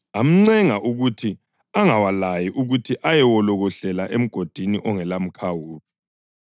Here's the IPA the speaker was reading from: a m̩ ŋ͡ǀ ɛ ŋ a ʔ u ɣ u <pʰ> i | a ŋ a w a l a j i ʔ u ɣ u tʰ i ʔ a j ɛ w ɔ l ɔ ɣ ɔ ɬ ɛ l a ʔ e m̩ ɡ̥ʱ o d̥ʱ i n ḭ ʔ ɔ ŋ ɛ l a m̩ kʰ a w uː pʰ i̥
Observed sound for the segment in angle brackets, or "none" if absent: tʰ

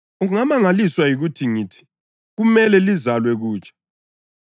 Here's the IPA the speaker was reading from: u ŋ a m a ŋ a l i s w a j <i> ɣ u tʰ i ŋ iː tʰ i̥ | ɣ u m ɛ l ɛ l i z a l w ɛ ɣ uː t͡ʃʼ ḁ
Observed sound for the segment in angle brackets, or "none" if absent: i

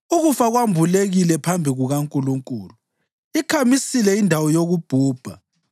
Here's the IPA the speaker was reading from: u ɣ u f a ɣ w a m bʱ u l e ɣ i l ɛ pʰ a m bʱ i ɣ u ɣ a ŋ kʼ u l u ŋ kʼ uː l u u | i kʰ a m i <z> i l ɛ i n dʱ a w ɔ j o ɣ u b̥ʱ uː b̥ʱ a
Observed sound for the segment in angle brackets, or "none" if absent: s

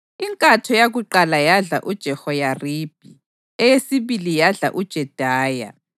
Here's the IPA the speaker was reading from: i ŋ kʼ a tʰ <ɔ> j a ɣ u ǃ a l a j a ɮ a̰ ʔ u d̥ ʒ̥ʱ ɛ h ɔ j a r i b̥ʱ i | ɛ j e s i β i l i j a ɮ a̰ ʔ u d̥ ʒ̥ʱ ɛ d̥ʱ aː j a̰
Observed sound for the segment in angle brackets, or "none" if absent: ɔ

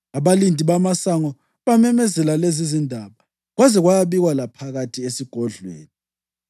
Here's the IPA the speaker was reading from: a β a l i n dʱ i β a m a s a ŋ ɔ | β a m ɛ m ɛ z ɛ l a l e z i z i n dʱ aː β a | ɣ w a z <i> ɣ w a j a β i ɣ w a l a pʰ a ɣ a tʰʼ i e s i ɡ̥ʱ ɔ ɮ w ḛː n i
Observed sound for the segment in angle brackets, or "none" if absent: ɛ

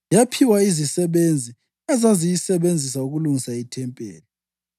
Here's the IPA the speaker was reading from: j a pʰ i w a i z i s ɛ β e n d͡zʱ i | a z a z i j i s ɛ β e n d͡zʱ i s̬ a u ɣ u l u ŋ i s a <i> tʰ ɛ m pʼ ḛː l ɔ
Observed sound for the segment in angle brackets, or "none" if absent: i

